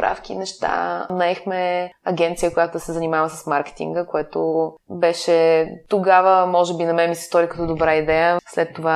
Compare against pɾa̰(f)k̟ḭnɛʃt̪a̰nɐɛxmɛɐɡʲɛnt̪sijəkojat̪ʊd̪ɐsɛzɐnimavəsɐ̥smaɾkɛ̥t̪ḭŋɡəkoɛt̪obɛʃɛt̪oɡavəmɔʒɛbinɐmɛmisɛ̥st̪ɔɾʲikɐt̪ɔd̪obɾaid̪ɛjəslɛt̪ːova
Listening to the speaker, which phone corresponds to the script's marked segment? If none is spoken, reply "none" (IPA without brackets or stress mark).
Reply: f